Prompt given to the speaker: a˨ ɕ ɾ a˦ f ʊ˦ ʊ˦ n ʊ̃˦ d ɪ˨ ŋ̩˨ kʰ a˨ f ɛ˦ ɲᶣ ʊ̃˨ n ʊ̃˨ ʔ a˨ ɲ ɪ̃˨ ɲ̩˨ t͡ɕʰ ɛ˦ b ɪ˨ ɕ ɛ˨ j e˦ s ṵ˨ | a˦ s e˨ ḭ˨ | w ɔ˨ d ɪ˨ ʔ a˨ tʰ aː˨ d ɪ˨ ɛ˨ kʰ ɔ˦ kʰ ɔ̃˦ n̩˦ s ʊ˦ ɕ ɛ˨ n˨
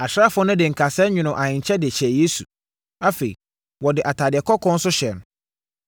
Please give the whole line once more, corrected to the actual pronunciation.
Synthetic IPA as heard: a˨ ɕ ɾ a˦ f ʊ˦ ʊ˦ n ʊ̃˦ d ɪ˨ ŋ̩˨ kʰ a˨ s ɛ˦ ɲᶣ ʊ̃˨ n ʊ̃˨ ʔ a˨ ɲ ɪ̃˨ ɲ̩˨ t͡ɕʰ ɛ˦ d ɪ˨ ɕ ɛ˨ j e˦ s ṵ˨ | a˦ f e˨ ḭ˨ | w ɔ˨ d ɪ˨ ʔ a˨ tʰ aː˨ d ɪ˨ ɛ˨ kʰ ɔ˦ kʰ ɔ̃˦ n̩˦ s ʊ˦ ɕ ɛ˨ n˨